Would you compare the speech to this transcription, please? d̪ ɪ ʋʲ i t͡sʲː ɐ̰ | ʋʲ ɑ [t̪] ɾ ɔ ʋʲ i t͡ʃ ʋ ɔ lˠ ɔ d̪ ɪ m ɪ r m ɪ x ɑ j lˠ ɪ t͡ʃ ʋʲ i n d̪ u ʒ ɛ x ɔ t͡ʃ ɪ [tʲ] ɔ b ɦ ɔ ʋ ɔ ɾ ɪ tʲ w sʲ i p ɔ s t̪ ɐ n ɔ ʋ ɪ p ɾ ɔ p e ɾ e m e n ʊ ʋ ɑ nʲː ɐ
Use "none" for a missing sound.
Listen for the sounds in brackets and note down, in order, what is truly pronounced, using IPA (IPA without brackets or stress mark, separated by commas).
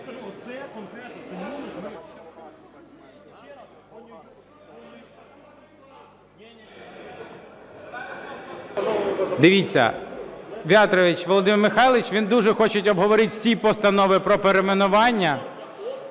t̪, tʲ